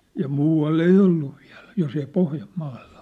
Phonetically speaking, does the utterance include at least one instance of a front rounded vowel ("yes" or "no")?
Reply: no